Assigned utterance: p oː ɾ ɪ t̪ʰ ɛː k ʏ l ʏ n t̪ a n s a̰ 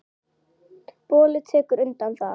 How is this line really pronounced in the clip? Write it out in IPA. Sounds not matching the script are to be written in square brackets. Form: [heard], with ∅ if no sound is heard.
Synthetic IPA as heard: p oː [l] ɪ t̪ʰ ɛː k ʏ [ɾ] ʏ n t̪ a n [θ] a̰